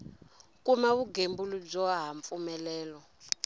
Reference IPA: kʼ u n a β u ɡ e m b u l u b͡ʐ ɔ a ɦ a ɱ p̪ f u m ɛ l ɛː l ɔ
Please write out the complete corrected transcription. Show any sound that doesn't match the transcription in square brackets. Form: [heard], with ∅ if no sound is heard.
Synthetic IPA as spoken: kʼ u [m] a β u ɡ e m b u l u b͡ʐ ɔ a ɦ a ɱ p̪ f u m ɛ l ɛː l ɔ